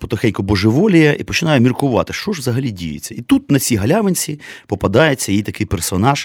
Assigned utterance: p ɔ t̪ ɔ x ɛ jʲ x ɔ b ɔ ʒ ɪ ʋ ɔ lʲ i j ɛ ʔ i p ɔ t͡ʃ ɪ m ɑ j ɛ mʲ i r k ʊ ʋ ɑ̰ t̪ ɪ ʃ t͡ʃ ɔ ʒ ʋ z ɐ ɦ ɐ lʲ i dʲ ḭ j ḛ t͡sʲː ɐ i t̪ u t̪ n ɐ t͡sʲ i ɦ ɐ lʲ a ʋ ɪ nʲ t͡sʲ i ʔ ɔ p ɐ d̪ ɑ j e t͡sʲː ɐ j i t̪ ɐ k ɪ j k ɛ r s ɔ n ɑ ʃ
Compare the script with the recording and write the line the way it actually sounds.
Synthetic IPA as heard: p ɔ t̪ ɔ x ɛ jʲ k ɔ b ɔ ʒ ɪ ʋ ɔ lʲ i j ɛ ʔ i p ɔ t͡ʃ ɪ n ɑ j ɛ mʲ i r k ʊ ʋ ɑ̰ t̪ ɪ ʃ t͡ʃ ɔ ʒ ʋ z ɐ ɦ ɐ lʲ i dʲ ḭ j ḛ t͡sʲː ɐ i t̪ u t̪ n ɐ t͡sʲ i ɦ ɐ lʲ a ʋ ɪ nʲ t͡sʲ i p ɔ p ɐ d̪ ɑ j e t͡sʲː ɐ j i t̪ ɐ k ɪ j p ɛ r s ɔ n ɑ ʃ